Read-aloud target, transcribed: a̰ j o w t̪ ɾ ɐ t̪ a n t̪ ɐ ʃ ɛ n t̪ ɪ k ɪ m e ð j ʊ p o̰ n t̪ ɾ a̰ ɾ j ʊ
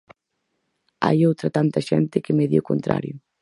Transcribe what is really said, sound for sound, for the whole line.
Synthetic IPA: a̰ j o w t̪ ɾ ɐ t̪ a n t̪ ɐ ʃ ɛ n t̪ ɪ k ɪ m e ð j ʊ k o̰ n t̪ ɾ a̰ ɾ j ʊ